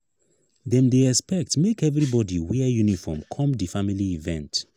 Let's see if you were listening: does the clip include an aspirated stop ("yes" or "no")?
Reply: yes